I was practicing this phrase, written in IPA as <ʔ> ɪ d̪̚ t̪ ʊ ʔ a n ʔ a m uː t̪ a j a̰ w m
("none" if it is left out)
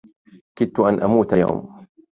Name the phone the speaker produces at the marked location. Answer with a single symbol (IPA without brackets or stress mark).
k